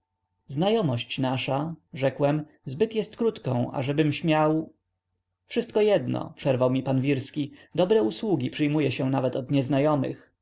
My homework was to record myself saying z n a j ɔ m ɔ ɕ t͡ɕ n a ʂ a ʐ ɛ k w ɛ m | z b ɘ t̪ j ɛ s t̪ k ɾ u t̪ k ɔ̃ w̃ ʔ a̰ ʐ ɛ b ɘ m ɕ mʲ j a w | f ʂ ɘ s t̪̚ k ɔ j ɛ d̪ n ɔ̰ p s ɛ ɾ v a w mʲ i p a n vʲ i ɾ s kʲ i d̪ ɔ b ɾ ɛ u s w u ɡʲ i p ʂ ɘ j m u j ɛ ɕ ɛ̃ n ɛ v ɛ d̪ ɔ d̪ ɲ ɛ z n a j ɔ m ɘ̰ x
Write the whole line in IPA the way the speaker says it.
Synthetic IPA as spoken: z n a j ɔ m ɔ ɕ t͡ɕ n a ʂ a ʐ ɛ k w ɛ m | z b ɘ t̪ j ɛ s t̪ k ɾ u t̪ k ɔ̃ w̃ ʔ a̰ ʐ ɛ b ɘ m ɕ mʲ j a w | f ʂ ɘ s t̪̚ k ɔ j ɛ d̪ n ɔ̰ p ʂ ɛ ɾ v a w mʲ i p a n vʲ i ɾ s kʲ i d̪ ɔ b ɾ ɛ u s w u ɡʲ i p ʂ ɘ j m u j ɛ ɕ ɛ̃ n a v ɛ t̪ ɔ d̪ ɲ ɛ z n a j ɔ m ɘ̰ x